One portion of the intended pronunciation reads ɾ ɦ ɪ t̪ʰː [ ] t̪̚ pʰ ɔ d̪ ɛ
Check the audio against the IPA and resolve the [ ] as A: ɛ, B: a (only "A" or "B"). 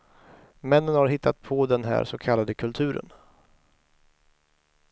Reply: B